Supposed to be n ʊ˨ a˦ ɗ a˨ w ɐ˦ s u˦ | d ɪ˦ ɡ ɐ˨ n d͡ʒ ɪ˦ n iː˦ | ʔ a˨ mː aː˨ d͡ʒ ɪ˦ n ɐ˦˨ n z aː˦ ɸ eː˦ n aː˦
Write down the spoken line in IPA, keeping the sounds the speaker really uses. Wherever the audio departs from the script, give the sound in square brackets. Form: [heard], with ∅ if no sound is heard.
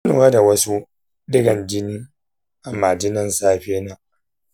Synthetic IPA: n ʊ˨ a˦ [d] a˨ w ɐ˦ s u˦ | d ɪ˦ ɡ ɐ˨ n d͡ʒ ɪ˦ n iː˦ | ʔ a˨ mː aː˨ d͡ʒ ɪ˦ n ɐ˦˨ n [s] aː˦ ɸ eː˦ n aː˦